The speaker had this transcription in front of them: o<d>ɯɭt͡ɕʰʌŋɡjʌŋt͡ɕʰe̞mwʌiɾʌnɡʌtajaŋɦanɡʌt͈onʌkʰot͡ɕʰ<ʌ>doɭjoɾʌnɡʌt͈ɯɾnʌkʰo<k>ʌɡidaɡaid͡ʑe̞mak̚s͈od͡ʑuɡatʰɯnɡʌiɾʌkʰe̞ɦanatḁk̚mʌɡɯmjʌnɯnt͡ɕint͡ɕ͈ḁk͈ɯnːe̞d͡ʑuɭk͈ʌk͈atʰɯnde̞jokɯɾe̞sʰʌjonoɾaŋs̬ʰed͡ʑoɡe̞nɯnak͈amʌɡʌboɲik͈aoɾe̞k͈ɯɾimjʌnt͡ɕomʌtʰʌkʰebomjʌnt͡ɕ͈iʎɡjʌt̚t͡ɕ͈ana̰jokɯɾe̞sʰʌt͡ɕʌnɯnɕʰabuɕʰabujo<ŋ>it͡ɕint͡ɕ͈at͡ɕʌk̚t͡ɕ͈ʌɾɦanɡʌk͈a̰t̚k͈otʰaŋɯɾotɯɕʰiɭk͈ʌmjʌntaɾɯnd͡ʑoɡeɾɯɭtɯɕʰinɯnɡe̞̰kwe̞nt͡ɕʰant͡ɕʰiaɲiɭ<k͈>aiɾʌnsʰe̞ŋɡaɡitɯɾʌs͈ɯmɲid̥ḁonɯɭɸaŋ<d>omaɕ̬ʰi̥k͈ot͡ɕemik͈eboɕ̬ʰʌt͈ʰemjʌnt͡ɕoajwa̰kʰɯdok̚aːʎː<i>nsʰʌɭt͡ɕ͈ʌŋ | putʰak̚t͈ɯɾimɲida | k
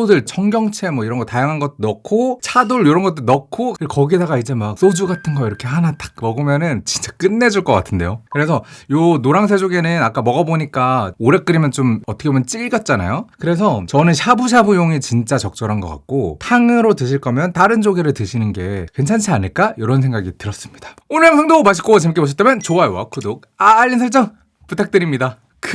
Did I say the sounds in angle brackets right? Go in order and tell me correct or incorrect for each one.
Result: correct, incorrect, correct, correct, correct, correct, correct

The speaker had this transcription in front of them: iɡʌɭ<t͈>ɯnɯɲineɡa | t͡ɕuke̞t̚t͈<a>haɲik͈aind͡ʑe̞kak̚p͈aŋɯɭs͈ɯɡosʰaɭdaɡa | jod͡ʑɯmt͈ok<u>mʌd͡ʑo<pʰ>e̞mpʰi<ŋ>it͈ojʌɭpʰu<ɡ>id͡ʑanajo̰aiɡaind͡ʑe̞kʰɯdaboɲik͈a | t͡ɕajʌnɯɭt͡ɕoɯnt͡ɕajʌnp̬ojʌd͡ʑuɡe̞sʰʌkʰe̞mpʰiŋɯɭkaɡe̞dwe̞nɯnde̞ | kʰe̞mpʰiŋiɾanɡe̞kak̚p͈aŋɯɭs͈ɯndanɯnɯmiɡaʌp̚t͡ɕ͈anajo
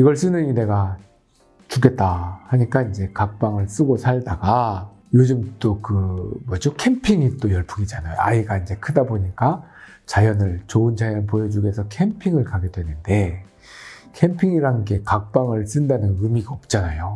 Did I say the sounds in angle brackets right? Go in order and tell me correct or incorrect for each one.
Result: incorrect, correct, incorrect, incorrect, correct, correct

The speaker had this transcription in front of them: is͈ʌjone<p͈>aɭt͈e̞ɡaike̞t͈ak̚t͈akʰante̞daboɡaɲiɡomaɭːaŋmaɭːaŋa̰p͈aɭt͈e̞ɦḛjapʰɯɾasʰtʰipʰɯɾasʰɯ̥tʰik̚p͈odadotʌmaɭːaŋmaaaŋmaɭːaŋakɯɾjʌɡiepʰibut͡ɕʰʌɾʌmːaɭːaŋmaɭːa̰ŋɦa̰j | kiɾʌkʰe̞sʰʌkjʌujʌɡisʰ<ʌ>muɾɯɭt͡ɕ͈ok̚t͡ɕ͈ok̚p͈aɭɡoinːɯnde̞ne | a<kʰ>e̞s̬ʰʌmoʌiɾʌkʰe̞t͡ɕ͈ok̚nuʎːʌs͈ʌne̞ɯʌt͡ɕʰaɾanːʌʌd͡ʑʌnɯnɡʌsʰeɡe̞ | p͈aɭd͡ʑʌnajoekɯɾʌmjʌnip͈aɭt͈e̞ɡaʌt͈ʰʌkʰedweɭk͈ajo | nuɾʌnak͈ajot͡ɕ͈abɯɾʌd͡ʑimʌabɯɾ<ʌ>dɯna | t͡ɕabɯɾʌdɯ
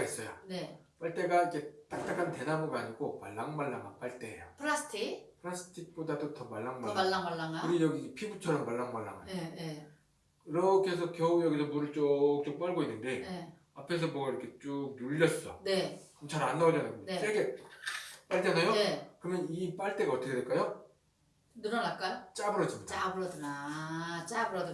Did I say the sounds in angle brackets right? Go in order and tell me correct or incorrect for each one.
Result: correct, correct, incorrect, correct

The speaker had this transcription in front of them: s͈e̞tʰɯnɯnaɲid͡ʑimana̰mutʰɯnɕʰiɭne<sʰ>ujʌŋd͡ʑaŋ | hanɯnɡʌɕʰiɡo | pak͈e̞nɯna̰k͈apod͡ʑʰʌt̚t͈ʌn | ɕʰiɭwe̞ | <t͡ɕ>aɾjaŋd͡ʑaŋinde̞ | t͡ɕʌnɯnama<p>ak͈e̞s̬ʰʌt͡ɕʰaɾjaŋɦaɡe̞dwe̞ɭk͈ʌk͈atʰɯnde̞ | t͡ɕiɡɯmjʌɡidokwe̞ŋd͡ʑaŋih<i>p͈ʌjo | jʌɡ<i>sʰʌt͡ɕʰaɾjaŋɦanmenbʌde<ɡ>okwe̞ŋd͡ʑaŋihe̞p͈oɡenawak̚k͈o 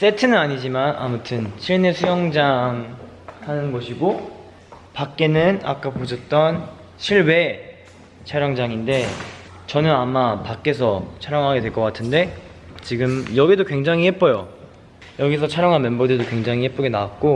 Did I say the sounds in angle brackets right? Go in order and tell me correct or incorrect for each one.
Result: correct, incorrect, correct, incorrect, correct, incorrect

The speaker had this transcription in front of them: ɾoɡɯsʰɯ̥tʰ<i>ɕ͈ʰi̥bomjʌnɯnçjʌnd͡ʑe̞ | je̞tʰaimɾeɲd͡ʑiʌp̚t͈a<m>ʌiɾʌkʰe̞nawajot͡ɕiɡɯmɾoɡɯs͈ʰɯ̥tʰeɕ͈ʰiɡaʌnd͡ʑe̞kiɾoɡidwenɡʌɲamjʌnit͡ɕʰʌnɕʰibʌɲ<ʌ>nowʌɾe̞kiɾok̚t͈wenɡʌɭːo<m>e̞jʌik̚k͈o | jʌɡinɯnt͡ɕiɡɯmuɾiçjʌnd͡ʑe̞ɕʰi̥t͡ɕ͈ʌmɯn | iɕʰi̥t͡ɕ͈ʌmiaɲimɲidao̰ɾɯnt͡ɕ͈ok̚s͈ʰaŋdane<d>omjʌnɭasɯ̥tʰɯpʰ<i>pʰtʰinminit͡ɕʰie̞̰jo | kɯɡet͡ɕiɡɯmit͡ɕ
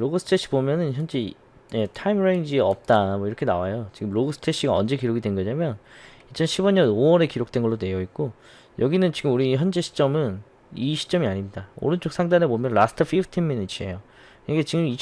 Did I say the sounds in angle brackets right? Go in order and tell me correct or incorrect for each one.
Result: incorrect, correct, correct, incorrect, incorrect, correct

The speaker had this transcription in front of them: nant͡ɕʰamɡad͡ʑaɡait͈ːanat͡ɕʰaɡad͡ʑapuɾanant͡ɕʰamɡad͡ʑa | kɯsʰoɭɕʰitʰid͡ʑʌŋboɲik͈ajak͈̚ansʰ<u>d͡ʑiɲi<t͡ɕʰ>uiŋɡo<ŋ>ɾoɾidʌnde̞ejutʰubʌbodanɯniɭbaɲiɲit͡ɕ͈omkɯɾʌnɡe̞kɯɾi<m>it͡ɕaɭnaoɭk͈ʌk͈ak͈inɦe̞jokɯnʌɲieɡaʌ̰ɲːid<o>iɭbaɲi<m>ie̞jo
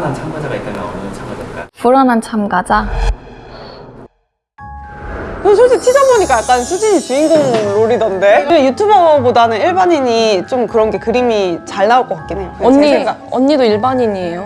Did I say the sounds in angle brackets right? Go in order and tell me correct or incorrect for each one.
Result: correct, incorrect, correct, correct, correct, incorrect

